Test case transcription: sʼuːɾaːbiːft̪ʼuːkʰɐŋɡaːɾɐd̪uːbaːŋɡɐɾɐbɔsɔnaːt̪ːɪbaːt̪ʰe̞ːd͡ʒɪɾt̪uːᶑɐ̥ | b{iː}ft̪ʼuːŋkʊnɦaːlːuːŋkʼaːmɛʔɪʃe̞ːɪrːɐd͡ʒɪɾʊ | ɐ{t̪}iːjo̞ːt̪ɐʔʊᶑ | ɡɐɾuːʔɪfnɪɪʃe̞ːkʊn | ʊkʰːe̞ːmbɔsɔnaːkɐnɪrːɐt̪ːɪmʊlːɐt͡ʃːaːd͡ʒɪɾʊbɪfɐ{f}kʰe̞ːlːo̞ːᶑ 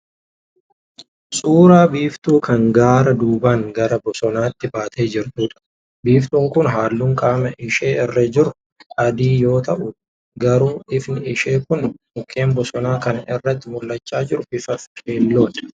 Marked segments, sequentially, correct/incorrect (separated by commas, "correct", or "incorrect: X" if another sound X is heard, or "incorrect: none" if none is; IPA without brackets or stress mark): correct, incorrect: d̪, correct